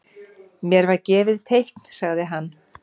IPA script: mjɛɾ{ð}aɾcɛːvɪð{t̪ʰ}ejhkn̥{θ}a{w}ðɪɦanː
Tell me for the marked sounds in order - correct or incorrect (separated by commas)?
incorrect, correct, incorrect, incorrect